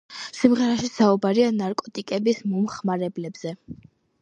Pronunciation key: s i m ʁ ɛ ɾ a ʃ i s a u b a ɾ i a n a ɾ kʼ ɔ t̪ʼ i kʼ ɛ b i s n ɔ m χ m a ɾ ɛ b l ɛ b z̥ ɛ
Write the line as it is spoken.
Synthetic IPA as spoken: s i m ʁ ɛ ɾ a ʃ i s a u b a ɾ i a n a ɾ kʼ ɔ t̪ʼ i kʼ ɛ b i s m ɔ m χ m a ɾ ɛ b l ɛ b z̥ ɛ